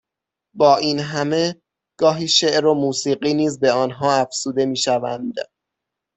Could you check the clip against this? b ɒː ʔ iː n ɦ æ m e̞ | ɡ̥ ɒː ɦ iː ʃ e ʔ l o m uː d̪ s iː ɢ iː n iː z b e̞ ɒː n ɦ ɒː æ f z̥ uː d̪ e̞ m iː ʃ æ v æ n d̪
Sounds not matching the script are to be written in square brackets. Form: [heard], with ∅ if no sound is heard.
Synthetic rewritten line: b ɒː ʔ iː n ɦ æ m e̞ | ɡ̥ ɒː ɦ iː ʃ e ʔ [ɾ] o m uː [∅] s iː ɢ iː n iː z b e̞ ɒː n ɦ ɒː æ f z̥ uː d̪ e̞ m iː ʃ æ v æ n d̪

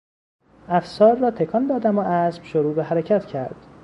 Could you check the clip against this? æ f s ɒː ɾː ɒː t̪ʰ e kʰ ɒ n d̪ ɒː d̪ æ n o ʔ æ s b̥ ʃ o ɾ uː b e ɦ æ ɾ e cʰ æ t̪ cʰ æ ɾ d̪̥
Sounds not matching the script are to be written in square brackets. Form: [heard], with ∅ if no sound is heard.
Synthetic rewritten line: æ f s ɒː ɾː ɒː t̪ʰ e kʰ ɒ n d̪ ɒː d̪ æ [m] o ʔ æ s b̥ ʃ o ɾ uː b e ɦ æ ɾ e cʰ æ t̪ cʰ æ ɾ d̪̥

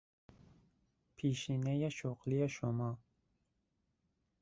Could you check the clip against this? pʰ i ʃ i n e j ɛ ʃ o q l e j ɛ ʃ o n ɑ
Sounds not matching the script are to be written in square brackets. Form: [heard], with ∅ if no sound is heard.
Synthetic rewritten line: pʰ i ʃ i n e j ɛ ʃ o q l [i] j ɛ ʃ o [m] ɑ

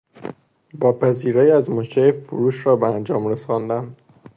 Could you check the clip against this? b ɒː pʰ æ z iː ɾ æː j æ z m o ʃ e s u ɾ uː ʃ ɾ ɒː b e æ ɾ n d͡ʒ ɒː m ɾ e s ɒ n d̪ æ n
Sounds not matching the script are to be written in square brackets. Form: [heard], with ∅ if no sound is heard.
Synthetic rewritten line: b ɒː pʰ æ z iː ɾ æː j æ z m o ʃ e [f] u ɾ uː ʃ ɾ ɒː b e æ [∅] n d͡ʒ ɒː m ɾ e s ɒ n d̪ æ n

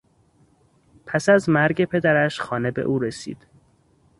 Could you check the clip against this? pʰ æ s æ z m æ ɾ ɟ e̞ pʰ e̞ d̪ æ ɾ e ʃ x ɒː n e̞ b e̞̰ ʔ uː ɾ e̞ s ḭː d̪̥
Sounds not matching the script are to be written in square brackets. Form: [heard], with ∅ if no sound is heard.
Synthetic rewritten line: pʰ æ s æ z m æ ɾ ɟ e̞ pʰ e̞ d̪ æ ɾ [æ] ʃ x ɒː n e̞ b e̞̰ ʔ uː ɾ e̞ s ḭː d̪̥

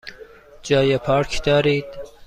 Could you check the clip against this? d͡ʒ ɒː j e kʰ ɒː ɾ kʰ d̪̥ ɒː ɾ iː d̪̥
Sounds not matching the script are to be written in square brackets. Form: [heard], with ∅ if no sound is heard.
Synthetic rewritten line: d͡ʒ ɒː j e [pʰ] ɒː ɾ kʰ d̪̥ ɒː ɾ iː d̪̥

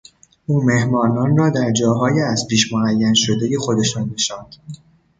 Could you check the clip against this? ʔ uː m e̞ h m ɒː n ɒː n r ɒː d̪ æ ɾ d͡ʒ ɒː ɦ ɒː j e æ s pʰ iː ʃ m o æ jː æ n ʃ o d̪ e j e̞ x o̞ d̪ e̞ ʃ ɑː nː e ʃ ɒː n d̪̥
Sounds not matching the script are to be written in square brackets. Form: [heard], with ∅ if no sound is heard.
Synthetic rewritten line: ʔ uː m e̞ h m ɒː n ɒː n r ɒː d̪ æ ɾ d͡ʒ ɒː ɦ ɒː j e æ [z] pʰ iː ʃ m o æ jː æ n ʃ o d̪ e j e̞ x o̞ d̪ e̞ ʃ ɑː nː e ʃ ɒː n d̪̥

